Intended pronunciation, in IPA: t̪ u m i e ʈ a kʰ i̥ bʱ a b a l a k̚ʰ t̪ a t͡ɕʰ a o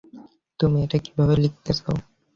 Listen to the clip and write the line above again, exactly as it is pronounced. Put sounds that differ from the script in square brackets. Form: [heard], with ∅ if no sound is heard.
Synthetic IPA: t̪ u m i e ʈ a [k] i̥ bʱ a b [e] l [i] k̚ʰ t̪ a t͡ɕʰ a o